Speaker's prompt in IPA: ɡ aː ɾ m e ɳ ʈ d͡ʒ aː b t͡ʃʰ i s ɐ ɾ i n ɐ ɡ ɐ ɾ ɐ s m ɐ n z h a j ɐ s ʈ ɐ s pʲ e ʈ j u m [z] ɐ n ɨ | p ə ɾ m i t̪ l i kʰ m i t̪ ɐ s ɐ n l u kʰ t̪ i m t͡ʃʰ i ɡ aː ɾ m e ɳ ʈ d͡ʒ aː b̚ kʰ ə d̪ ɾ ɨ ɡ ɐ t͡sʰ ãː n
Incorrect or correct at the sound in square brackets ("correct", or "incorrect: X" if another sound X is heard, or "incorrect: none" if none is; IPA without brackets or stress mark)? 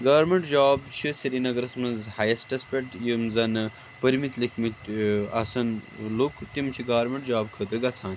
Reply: correct